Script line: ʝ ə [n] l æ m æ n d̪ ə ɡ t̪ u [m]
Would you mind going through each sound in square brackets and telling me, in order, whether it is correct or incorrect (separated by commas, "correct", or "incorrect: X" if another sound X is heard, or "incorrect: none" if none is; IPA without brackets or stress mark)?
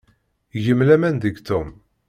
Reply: incorrect: m, correct